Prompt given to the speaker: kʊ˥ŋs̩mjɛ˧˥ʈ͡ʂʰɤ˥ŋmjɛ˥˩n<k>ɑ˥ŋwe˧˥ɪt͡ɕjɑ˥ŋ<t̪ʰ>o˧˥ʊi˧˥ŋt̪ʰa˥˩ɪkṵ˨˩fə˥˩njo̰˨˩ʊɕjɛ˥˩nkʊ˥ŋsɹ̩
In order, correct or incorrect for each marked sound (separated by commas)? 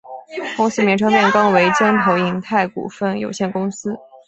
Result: correct, correct